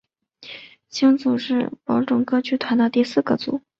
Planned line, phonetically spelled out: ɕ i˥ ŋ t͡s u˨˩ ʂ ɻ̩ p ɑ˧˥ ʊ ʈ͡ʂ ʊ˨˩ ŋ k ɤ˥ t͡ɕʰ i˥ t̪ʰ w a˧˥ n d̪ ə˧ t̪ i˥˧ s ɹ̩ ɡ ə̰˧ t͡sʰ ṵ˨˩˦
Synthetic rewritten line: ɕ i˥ ŋ t͡s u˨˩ ʂ ɻ̩ p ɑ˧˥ ʊ ʈ͡ʂ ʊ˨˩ ŋ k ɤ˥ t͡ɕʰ y˥ t̪ʰ w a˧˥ n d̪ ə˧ t̪ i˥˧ s ɹ̩ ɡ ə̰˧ t͡s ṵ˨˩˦